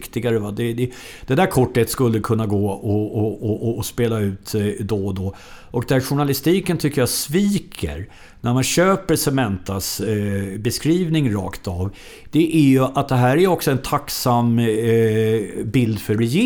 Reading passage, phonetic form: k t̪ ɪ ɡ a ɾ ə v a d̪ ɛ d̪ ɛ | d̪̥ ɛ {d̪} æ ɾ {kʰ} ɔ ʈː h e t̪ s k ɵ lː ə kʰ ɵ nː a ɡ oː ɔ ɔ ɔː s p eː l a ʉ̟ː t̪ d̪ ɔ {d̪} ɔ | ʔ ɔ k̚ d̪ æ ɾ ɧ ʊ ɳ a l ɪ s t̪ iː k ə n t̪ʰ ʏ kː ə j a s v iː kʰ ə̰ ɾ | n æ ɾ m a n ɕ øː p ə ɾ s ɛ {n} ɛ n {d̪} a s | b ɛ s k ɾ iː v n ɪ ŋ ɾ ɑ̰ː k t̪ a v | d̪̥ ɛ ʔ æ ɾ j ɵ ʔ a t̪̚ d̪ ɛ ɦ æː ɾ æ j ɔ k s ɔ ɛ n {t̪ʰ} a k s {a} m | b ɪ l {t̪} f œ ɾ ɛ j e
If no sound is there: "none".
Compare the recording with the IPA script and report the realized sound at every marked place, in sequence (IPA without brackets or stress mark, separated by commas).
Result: d̪, kʰ, d̪, m, t̪, t̪ʰ, a, d̪